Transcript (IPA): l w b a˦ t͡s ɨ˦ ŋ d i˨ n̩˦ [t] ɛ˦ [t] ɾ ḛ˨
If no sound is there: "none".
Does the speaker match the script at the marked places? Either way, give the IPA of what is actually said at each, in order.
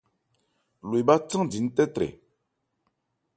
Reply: t, t

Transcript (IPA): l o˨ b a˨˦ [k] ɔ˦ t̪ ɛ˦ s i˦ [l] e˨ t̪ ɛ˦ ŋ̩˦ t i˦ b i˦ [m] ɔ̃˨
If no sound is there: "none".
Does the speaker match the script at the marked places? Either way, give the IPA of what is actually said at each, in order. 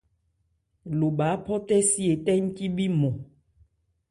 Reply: p, none, m

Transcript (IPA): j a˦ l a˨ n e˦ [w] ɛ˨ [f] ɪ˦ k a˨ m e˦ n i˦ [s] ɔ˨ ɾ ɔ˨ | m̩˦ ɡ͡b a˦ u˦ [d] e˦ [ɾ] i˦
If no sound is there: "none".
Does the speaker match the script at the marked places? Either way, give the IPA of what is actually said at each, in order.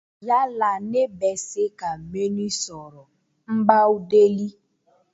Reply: b, s, s, d, l

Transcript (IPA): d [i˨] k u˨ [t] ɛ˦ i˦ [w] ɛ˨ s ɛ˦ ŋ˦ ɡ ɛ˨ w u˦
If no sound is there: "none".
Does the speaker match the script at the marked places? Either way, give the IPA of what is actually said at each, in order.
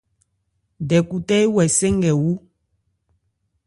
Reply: ɛ˨, t, w

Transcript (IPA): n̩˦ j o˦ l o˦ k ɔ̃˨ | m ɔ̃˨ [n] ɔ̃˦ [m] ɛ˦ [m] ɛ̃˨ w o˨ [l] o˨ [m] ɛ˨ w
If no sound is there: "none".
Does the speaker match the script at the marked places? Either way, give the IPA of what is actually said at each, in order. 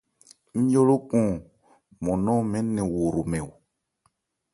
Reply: n, m, n, ɾ, m

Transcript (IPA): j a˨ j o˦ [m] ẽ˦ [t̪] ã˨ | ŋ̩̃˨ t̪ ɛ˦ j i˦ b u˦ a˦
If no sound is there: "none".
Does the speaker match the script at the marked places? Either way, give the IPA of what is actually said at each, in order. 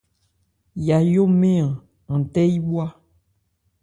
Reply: m, none

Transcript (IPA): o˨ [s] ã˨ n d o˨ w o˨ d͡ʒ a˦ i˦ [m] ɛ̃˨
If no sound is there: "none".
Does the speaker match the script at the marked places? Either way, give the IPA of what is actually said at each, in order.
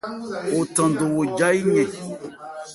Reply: t, ɲ

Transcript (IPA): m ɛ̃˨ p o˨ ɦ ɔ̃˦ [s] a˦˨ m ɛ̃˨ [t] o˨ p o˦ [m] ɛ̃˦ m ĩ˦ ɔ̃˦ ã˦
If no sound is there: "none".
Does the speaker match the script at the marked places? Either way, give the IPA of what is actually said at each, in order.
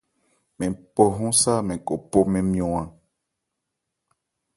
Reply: s, k, m

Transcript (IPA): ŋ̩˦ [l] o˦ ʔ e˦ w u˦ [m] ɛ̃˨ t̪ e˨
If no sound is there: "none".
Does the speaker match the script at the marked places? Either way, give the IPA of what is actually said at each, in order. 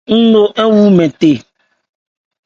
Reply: l, m

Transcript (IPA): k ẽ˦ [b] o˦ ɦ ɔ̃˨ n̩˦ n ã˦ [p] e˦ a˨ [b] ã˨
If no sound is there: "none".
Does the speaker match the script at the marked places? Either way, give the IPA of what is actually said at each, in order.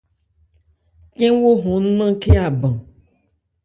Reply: w, k, b

